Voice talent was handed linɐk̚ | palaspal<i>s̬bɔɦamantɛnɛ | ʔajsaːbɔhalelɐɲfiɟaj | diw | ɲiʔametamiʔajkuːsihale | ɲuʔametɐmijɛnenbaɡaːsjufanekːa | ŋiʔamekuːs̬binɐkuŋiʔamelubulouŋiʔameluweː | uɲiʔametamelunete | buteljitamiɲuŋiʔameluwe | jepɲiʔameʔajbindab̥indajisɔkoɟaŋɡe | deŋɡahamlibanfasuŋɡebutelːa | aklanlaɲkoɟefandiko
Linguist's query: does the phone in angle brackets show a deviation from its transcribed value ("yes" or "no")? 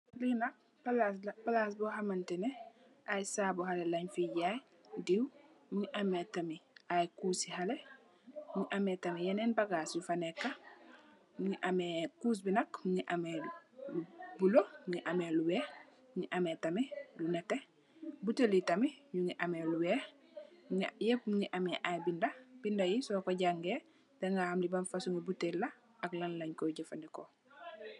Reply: yes